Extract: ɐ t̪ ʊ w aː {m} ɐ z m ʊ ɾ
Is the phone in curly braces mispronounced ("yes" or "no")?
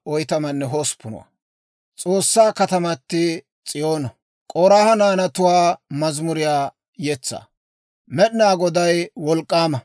no